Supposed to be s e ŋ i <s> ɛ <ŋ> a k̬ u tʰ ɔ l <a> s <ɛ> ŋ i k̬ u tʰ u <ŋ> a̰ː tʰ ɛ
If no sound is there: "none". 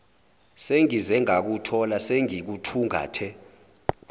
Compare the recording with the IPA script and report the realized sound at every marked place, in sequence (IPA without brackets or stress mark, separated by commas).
z, ŋ, a, e, ŋ